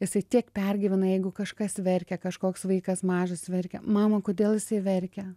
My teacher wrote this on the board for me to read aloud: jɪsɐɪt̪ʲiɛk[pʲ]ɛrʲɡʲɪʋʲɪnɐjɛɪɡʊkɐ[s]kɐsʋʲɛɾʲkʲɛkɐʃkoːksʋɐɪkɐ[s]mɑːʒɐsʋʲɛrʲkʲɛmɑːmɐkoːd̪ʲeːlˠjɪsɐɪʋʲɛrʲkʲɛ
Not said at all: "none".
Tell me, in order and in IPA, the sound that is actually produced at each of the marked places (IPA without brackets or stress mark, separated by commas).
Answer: pʲ, ʃ, s